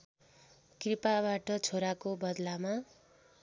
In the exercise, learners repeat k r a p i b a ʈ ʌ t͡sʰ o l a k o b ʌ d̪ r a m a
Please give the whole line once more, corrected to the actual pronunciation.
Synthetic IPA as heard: k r i p a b a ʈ ʌ t͡sʰ o ɾ a k o b ʌ d̪ l a m a